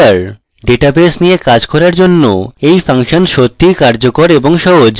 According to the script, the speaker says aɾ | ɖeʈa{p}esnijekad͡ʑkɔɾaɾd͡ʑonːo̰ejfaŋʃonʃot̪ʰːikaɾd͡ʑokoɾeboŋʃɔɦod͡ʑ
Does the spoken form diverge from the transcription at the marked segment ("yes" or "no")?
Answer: yes